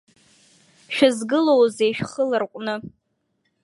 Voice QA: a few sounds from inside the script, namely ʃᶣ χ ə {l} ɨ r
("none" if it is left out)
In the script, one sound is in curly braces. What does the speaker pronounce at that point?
l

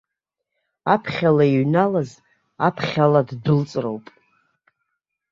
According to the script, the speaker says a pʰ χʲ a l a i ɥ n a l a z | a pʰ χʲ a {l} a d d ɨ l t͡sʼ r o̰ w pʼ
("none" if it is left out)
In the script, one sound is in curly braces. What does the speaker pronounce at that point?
l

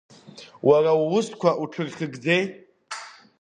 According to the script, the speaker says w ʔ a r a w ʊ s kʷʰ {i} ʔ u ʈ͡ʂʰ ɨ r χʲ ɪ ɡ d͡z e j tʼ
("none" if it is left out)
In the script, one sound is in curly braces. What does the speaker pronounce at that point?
a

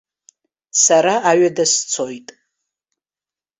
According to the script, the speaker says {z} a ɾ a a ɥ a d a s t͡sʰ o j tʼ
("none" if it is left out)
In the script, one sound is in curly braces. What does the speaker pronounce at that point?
s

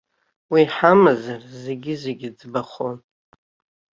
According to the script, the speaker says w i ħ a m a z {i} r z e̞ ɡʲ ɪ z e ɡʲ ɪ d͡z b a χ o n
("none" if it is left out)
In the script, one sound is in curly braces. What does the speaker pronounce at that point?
a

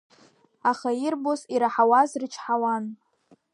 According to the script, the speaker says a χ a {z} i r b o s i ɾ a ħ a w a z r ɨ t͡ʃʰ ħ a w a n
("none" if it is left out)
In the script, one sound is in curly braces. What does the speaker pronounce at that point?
none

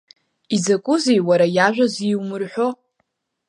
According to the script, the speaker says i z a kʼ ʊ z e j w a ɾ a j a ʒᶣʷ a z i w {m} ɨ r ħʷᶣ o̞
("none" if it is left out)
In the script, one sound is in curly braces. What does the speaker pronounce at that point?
m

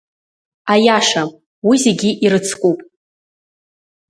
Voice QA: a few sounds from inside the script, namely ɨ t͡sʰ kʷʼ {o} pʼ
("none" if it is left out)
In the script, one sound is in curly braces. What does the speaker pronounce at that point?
u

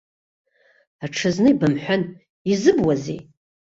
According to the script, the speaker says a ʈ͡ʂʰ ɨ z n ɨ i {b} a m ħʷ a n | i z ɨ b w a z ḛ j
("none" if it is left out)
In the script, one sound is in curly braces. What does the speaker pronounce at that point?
b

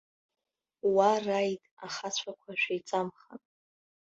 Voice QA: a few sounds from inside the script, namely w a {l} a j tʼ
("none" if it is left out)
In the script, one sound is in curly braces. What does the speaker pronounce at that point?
r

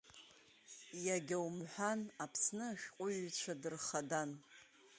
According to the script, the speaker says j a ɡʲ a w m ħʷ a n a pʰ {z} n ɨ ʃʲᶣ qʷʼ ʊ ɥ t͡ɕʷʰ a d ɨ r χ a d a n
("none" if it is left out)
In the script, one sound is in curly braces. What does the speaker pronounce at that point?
s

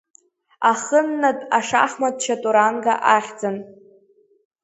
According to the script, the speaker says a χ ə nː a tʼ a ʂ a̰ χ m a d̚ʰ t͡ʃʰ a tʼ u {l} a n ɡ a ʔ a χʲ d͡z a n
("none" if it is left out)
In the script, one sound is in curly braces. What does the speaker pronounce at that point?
ɾ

